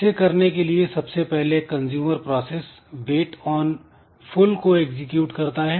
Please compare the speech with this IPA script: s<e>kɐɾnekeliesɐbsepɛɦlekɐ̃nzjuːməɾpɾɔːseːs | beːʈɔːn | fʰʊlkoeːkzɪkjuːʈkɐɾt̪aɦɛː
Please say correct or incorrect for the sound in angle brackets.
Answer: correct